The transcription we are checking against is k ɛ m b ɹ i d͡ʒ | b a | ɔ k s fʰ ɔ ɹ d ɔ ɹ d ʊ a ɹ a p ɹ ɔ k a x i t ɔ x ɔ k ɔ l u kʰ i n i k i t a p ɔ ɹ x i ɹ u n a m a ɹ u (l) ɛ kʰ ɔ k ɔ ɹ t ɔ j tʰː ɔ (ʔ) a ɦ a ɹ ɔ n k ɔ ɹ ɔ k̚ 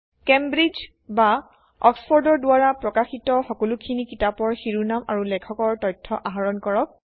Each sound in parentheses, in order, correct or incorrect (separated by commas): correct, correct